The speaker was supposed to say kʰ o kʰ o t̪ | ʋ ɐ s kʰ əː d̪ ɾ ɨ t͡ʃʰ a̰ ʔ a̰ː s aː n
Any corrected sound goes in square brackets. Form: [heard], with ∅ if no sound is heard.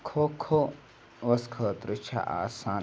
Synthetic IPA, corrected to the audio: kʰ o kʰ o [∅] | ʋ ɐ s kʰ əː [t̪] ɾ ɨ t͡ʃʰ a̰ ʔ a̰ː s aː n